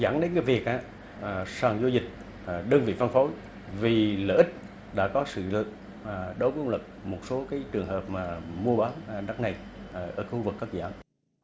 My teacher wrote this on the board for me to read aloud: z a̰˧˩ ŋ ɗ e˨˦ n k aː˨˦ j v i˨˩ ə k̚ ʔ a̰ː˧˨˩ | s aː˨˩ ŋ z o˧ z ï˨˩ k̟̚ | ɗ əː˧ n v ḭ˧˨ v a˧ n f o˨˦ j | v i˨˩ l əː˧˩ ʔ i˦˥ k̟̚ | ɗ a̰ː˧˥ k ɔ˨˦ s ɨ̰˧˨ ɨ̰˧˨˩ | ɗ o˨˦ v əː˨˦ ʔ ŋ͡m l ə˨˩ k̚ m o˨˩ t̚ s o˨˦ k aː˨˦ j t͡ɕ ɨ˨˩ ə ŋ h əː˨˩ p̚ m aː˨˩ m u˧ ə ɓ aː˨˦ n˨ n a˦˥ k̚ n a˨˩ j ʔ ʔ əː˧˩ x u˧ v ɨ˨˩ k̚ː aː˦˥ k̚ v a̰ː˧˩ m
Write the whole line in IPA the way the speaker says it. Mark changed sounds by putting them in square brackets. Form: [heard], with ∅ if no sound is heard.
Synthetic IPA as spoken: z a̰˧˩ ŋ ɗ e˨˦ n k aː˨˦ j v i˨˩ ə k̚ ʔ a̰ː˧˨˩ | s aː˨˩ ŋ z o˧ z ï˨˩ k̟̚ | ɗ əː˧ n v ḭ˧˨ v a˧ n f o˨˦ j | v i˨˩ l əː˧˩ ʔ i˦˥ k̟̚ | ɗ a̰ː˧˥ k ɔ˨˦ s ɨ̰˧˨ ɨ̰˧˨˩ | ɗ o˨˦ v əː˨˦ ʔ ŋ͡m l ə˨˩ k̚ m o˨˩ t̚ s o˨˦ k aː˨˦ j t͡ɕ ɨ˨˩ ə ŋ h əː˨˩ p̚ m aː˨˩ m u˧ ə ɓ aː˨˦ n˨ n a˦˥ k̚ n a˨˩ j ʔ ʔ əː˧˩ x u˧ v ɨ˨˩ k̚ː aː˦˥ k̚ [z] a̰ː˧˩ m